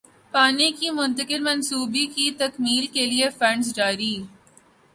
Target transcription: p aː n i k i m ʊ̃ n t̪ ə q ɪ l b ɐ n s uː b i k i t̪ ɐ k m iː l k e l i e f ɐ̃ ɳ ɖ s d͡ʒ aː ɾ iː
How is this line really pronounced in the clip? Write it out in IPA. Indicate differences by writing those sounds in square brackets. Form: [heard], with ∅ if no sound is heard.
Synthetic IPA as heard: p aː n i k i m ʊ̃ n t̪ ə [k] ɪ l [m] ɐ n s uː b i k i t̪ ɐ k m iː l k e l i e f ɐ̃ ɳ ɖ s d͡ʒ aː ɾ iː